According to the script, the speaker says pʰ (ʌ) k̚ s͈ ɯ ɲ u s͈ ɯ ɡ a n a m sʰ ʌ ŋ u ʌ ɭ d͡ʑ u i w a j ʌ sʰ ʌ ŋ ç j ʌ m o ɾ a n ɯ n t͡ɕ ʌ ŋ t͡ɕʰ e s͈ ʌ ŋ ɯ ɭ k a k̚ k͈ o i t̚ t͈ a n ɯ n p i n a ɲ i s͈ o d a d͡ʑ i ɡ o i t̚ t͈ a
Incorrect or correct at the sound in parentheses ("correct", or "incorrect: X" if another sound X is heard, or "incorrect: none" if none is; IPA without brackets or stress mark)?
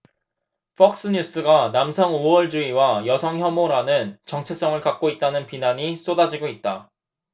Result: correct